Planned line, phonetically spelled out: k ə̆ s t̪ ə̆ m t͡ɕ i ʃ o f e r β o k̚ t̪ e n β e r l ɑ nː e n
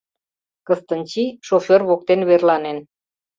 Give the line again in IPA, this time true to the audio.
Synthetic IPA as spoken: k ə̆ s t̪ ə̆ n t͡ɕ i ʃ o f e r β o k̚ t̪ e n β e r l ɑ n e n